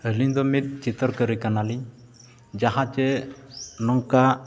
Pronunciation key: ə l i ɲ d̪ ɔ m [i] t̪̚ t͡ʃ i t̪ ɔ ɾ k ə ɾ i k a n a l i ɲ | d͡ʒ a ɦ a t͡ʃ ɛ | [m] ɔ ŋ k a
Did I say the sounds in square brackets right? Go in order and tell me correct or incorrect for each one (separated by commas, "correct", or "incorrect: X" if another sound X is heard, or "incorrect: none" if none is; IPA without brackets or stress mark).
correct, incorrect: n